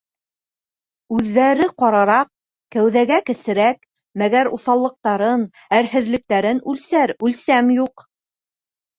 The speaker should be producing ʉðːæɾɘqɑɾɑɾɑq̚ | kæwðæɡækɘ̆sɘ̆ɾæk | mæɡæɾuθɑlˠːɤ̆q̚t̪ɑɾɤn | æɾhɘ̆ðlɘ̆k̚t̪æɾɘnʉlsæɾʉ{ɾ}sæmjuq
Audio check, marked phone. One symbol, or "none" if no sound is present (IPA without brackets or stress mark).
l